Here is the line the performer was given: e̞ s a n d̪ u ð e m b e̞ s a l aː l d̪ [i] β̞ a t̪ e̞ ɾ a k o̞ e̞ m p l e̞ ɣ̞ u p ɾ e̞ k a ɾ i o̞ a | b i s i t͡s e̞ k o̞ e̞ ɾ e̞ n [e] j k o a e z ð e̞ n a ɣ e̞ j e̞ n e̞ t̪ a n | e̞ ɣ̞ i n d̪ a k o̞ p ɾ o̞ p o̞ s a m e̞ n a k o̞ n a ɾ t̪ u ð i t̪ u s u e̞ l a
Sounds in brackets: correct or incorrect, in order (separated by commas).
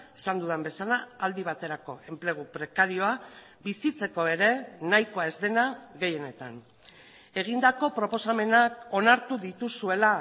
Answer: correct, incorrect